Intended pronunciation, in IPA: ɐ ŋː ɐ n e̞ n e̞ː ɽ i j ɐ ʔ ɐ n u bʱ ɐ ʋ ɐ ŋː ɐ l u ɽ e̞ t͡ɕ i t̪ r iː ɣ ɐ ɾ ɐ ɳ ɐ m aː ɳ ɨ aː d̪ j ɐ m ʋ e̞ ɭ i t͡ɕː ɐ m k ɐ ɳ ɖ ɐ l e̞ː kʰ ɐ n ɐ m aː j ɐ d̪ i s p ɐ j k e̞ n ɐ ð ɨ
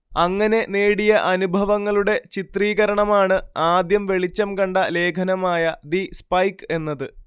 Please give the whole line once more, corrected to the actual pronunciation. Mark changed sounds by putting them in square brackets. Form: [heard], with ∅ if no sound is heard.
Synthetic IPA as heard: ɐ ŋː ɐ n e̞ n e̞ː ɽ i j ɐ ʔ ɐ n u bʱ ɐ ʋ ɐ ŋː ɐ [ɭ] u ɽ e̞ t͡ɕ i t̪ r iː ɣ ɐ ɾ ɐ ɳ ɐ m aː ɳ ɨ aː d̪ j ɐ m ʋ e̞ ɭ i t͡ɕː ɐ m k ɐ ɳ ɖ ɐ l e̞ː kʰ ɐ n ɐ m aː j ɐ d̪ i s p ɐ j k e̞ [nː] ɐ ð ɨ

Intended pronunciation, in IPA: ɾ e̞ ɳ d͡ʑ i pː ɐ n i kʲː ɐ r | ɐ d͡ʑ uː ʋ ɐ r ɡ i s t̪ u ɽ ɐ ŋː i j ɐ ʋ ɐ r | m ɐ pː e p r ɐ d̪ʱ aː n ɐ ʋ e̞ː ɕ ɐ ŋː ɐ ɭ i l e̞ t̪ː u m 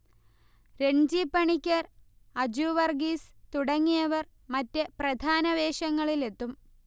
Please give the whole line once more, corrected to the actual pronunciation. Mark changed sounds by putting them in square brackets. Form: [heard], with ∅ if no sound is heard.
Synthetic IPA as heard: ɾ e̞ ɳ d͡ʑ i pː ɐ [ɳ] i kʲː ɐ r | ɐ d͡ʑ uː ʋ ɐ r ɡ i s t̪ u ɽ ɐ ŋː i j ɐ ʋ ɐ r | m ɐ [tː] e p r ɐ d̪ʱ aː n ɐ ʋ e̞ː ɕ ɐ ŋː ɐ ɭ i l e̞ t̪ː u m

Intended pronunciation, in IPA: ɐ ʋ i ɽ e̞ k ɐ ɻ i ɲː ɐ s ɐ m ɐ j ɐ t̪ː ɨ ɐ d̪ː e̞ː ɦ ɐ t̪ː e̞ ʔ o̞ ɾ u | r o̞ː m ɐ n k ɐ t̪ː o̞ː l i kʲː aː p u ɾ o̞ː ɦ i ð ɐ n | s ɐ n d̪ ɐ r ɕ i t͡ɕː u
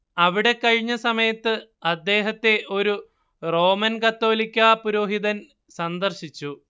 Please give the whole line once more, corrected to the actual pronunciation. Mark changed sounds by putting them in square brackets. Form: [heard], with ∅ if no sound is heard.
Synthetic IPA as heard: ɐ ʋ i ɽ e̞ k ɐ ɻ i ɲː ɐ s ɐ m ɐ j ɐ t̪ː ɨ ɐ d̪ː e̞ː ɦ ɐ t̪ː e̞ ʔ o̞ ɾ u | r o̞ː m ɐ n k ɐ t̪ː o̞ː l i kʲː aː p u ɾ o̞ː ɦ i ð ɐ n | s ɐ n d̪ ɐ r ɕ i t͡ɕː u

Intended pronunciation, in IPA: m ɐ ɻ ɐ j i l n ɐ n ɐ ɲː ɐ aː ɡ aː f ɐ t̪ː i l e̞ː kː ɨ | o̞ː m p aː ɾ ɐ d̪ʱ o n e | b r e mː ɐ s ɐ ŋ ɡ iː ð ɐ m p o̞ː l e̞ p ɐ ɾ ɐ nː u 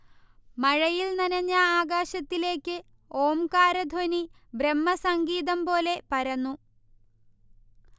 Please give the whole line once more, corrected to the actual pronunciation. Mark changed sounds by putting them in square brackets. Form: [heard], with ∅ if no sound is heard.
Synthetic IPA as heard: m ɐ ɻ ɐ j i l n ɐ n ɐ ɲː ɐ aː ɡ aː [ɕ] ɐ t̪ː i l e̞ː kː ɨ | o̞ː m [k] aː ɾ ɐ d̪ʱ o n [i] | b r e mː ɐ s ɐ ŋ ɡ iː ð ɐ m p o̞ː l e̞ p ɐ ɾ ɐ nː u

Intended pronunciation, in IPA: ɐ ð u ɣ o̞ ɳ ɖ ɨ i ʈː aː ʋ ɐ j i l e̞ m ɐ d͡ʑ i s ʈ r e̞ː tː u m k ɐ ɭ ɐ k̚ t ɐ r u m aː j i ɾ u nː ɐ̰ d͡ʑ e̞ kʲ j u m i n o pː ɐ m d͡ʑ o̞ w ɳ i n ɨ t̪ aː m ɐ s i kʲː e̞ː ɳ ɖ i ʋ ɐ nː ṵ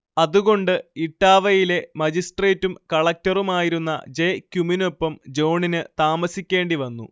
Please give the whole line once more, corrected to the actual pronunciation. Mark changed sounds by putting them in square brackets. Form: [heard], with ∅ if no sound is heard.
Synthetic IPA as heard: ɐ ð u ɣ o̞ ɳ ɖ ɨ i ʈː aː ʋ ɐ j i l e̞ m ɐ d͡ʑ i s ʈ r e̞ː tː u m k ɐ ɭ ɐ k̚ t ɐ r u m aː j i ɾ u nː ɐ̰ d͡ʑ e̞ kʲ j u m i n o pː ɐ m d͡ʑ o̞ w ɳ i n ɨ t̪ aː m ɐ s i kʲː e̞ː ɳ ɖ i ʋ ɐ nː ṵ

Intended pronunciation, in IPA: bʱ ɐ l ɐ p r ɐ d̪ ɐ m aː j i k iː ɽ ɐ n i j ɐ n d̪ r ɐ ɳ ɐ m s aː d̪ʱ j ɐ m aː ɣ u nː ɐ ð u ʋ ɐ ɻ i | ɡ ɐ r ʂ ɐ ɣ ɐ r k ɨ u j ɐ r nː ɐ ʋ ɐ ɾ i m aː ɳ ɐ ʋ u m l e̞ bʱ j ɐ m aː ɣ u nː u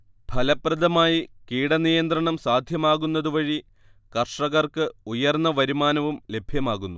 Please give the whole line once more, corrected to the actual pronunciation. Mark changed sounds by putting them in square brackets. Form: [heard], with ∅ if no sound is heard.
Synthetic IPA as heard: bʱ ɐ l ɐ p r ɐ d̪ ɐ m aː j i k iː ɽ ɐ n i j ɐ n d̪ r ɐ ɳ ɐ m s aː d̪ʱ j ɐ m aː ɣ u nː ɐ ð u ʋ ɐ ɻ i | [k] ɐ r ʂ ɐ ɣ ɐ r k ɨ u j ɐ r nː ɐ ʋ ɐ ɾ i m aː [n] ɐ ʋ u m l e̞ bʱ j ɐ m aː ɣ u nː u

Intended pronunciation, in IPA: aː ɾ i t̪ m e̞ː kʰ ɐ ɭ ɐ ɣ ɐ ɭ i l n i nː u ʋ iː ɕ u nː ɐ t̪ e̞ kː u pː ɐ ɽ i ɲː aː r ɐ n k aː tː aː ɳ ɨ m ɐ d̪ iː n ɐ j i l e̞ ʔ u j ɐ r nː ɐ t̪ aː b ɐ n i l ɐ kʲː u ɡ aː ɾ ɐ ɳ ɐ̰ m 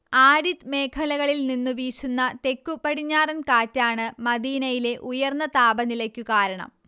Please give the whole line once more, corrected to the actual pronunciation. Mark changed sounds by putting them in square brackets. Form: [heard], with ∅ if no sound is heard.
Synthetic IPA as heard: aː ɾ i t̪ m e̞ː kʰ ɐ [l] ɐ ɣ ɐ ɭ i l n i nː u ʋ iː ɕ u nː ɐ t̪ e̞ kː u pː ɐ ɽ i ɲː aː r ɐ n k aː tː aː ɳ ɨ m ɐ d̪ iː n ɐ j i l e̞ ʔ u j ɐ r nː ɐ t̪ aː b ɐ n i l ɐ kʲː u [k] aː ɾ ɐ ɳ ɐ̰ m

